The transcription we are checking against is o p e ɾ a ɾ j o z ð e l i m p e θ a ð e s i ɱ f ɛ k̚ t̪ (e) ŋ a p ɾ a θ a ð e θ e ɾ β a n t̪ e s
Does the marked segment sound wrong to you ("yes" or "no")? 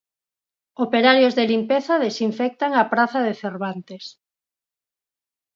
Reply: yes